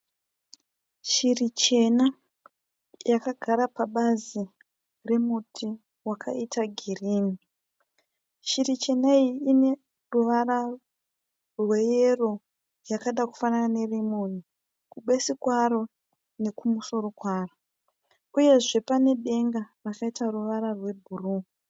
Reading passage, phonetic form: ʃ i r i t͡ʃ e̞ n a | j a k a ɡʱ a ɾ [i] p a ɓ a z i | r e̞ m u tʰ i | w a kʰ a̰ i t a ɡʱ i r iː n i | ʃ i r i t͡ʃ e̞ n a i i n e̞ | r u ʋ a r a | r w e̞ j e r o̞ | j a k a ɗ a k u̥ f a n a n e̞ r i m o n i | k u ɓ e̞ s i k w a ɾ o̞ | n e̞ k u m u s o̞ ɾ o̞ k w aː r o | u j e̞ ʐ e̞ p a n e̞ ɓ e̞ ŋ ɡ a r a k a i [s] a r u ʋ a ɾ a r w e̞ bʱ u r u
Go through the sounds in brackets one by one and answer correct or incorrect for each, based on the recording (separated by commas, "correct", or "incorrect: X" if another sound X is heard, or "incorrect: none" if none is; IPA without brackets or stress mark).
incorrect: a, incorrect: t